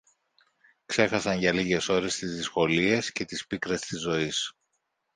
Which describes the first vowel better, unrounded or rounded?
unrounded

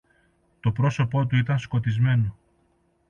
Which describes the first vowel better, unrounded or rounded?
rounded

